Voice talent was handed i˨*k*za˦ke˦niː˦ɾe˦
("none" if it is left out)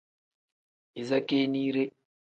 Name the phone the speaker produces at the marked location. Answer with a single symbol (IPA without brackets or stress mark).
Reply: none